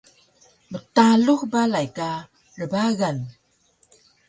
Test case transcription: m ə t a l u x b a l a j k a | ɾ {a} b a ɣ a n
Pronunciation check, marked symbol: incorrect: ə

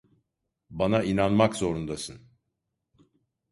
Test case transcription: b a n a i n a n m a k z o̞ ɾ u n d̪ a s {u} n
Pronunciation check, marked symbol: incorrect: ɯ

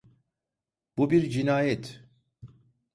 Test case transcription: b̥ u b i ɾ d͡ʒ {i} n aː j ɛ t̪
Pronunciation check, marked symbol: correct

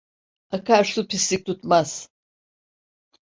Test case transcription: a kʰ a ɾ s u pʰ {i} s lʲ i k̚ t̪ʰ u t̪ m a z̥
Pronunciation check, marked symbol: correct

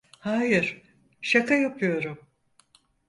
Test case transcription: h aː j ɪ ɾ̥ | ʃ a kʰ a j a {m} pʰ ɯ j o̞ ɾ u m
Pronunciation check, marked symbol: incorrect: none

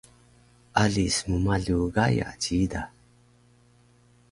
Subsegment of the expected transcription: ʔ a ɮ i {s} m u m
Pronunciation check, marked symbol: correct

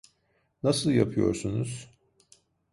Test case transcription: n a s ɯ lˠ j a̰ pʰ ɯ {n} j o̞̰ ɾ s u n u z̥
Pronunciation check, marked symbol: incorrect: none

